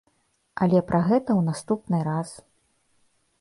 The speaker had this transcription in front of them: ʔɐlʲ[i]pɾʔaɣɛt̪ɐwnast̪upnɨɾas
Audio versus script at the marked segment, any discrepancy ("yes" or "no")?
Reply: yes